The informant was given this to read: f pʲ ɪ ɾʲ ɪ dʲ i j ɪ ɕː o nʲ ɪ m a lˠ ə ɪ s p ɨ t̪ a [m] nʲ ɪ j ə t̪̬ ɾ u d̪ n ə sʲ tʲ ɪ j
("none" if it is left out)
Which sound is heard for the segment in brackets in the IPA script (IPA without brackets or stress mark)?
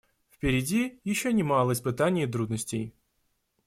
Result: none